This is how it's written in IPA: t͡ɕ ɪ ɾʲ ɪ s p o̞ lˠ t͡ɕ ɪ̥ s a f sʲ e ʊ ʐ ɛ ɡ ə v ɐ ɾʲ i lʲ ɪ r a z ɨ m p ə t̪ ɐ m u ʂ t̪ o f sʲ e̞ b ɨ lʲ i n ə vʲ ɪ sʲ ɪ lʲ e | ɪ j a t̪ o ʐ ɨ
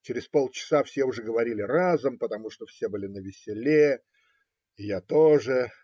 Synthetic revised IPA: t͡ɕ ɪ ɾʲ ɪ s p o̞ lˠ t͡ɕ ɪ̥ s a f sʲ e ʊ ʐ ɛ ɡ ə v ɐ ɾʲ i lʲ ɪ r a z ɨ m p ə t̪ ɐ m u ʂ t̪ o f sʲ e̞ b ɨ lʲ ɪ n ə vʲ ɪ sʲ ɪ lʲ e | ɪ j a t̪ o ʐ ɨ